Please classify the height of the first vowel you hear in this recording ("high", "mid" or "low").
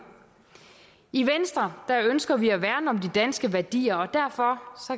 high